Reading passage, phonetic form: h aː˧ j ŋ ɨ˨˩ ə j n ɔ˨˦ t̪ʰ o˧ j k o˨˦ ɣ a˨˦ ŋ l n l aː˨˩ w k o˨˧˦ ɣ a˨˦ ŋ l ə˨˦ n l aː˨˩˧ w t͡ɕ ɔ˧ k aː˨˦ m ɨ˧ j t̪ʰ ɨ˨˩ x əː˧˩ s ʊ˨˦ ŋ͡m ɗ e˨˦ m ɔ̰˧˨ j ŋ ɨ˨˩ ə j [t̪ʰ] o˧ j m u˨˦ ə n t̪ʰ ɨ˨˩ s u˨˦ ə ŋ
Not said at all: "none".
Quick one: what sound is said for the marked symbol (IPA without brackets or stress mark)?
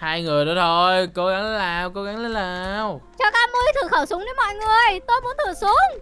t̪